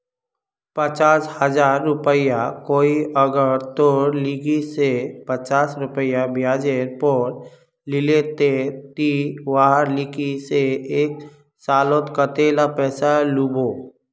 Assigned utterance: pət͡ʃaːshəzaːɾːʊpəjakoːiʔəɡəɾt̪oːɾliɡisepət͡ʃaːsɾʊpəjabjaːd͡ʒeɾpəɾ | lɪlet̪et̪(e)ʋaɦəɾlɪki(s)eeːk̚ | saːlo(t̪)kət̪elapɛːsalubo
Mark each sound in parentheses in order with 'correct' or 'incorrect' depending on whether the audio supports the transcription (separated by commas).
incorrect, correct, correct